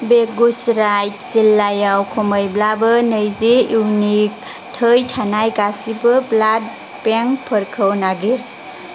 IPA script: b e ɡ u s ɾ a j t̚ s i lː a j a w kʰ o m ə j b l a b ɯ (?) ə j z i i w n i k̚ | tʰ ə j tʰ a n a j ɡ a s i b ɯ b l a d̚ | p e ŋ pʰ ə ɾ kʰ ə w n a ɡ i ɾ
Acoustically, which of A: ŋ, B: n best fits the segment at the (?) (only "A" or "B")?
B